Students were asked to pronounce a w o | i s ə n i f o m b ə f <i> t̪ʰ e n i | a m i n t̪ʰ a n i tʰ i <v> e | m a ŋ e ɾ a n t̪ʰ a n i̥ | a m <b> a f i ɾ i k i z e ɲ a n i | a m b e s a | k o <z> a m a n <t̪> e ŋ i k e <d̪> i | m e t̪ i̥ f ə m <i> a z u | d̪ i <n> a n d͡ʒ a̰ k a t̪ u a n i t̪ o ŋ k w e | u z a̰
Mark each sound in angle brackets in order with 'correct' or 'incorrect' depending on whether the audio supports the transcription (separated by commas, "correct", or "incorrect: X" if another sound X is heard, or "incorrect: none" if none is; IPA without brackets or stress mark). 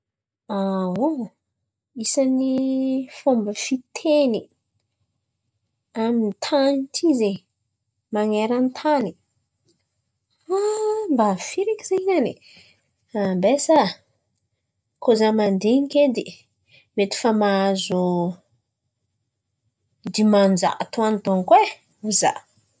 correct, incorrect: z, correct, correct, incorrect: d̪, correct, incorrect: a, incorrect: m